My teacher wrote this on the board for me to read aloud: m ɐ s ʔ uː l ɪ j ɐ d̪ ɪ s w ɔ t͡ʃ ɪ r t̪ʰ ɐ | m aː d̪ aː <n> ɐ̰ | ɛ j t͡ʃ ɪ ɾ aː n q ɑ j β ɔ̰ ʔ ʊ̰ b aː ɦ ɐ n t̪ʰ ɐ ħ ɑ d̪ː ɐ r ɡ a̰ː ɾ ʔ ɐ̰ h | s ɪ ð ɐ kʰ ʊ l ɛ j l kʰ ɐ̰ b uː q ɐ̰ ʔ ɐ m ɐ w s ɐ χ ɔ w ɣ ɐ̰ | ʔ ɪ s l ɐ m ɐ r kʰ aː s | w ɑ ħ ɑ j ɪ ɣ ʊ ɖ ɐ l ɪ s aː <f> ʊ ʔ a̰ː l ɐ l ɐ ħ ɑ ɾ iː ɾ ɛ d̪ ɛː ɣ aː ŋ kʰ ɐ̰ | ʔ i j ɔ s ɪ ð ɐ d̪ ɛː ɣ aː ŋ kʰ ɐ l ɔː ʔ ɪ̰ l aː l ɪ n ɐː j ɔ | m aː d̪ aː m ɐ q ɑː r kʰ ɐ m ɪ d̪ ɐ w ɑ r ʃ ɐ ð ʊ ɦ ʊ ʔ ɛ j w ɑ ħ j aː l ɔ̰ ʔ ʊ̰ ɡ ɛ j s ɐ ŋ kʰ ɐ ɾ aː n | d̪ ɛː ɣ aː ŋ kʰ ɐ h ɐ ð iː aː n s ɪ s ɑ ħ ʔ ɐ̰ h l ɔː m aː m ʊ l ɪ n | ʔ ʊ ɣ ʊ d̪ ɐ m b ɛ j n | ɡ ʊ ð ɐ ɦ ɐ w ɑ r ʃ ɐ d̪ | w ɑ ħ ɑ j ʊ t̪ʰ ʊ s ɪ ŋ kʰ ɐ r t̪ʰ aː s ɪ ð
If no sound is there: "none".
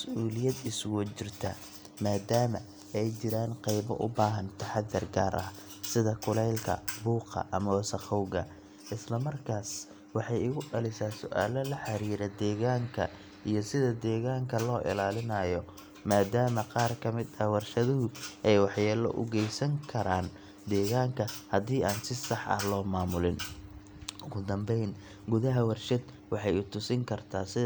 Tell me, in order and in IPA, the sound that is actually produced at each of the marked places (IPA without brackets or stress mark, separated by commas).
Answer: m, s